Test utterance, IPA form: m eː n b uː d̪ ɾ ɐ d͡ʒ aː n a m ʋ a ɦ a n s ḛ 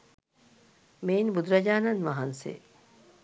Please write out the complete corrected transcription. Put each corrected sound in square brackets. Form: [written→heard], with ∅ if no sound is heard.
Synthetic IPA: m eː n b [uː→u] d̪ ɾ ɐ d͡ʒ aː n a [m→n] ʋ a ɦ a n s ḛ